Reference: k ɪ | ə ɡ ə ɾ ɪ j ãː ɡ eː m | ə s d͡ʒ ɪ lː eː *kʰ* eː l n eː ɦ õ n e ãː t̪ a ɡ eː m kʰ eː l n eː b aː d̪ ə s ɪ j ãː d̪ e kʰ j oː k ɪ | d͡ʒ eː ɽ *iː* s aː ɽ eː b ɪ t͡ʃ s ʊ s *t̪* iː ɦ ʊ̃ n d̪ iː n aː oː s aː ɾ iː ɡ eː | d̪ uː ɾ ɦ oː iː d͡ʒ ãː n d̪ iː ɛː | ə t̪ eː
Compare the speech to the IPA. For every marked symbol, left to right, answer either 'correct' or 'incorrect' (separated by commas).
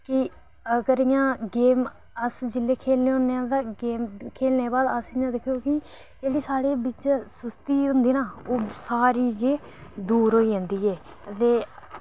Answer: correct, correct, correct